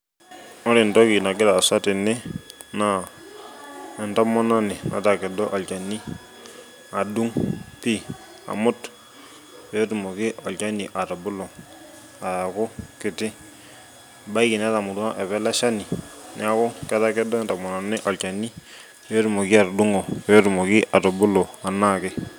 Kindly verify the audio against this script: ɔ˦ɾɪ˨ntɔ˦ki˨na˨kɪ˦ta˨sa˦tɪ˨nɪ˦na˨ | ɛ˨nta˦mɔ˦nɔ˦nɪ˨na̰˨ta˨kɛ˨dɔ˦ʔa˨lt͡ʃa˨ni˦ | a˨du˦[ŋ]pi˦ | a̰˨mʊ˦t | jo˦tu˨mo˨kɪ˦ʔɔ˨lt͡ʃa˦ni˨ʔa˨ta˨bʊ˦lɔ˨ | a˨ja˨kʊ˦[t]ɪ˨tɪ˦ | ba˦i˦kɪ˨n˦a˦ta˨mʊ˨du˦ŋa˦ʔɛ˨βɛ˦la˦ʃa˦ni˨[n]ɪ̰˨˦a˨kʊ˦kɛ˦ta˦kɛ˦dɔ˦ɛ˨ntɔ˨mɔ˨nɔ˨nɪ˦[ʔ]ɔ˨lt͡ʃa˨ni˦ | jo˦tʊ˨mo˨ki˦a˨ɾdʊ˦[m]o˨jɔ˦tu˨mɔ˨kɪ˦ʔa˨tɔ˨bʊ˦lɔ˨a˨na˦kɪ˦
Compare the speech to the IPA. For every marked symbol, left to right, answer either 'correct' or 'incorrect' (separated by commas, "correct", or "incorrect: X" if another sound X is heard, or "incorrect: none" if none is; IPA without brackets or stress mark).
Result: correct, incorrect: k, correct, correct, incorrect: ŋ